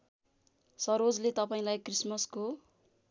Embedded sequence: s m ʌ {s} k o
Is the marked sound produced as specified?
yes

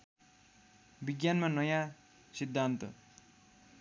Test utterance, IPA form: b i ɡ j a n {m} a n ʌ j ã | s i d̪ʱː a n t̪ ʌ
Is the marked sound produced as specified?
yes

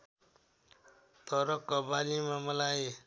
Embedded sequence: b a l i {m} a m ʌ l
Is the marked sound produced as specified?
yes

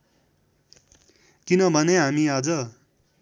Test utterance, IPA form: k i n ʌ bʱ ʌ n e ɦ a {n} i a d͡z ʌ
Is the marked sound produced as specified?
no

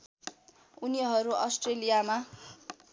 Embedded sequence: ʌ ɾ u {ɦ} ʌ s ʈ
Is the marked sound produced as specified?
no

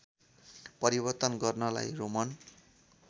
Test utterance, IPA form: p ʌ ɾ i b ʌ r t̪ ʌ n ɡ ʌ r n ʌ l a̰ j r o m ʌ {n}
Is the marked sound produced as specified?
yes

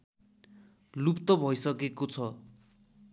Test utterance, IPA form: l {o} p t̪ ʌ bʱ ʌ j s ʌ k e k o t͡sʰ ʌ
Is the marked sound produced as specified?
no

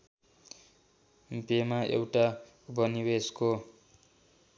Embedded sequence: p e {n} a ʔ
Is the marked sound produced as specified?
no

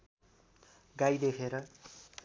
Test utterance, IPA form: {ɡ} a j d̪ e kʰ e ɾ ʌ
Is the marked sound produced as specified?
yes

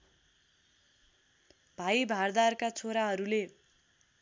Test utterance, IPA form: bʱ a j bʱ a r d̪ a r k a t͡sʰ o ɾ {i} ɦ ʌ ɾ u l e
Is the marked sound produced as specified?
no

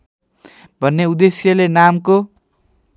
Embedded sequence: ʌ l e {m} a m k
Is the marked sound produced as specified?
no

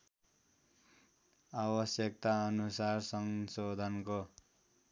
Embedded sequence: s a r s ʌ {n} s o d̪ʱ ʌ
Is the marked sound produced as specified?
no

